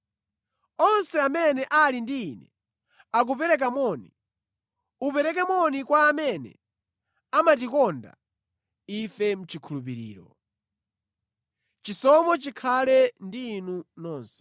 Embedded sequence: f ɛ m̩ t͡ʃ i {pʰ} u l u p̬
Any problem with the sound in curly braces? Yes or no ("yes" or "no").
yes